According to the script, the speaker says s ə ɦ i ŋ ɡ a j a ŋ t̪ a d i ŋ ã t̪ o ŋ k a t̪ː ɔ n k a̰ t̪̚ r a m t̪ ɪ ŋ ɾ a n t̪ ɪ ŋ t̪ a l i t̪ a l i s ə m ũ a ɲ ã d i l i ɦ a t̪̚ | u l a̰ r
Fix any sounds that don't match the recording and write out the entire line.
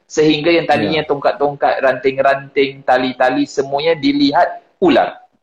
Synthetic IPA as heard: s ə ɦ i ŋ ɡ a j a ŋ t̪ a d i ɲ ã t̪ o ŋ k a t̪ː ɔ ŋ k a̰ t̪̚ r a n t̪ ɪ ŋ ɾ a n t̪ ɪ ŋ t̪ a l i t̪ a l i s ə m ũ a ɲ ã d i l i ɦ a t̪̚ | u l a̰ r